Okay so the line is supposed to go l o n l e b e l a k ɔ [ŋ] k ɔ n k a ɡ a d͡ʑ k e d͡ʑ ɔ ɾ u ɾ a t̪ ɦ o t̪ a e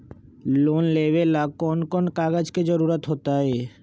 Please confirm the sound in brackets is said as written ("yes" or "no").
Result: no